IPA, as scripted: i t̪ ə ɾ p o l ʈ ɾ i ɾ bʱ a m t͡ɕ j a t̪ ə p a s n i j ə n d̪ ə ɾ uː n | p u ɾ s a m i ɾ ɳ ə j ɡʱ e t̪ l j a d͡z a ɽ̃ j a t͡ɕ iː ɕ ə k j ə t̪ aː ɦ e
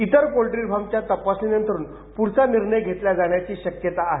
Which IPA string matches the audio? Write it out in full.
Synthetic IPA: i t̪ ə ɾ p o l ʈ ɾ i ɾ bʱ a m t͡ɕ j a t̪ ə p a s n i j ə n t̪ ə ɾ uː n | p u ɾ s a n i ɾ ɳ ə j ɡʱ e t̪ l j a d͡z a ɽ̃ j a t͡ɕ iː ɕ ə k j ə t̪ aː ɦ e